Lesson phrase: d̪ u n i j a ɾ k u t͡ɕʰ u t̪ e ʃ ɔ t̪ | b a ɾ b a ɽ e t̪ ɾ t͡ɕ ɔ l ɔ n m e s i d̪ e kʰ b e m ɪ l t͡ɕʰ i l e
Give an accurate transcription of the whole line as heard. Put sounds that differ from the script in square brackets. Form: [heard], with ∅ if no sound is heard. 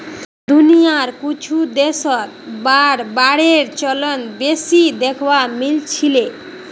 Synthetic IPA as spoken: d̪ u n i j a ɾ k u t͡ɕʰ u [d̪] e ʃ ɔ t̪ | b a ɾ b a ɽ e [∅] ɾ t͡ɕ ɔ l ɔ n [b] e s i d̪ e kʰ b [a] m [i] l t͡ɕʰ i l e